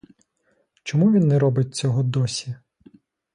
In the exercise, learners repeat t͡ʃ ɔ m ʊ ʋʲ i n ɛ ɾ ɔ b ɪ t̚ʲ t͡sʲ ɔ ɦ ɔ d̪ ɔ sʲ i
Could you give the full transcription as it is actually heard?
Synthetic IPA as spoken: t͡ʃ ɔ m u ʋʲ i nː ɛ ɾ ɔ b ɪ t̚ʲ t͡sʲ ɔ ɦ ɔ d̪ ɔ sʲ i